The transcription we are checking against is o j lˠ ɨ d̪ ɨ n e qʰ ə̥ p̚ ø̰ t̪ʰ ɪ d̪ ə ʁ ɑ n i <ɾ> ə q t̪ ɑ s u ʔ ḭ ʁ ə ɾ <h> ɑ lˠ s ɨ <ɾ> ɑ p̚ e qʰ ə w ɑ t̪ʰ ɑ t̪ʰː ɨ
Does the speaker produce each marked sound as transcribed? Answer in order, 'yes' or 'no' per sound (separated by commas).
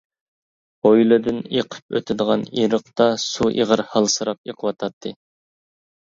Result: yes, yes, yes